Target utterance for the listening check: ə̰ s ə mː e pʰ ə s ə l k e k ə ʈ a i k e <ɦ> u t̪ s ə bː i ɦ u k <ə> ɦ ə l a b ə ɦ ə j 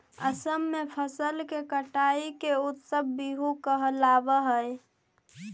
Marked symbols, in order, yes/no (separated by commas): no, yes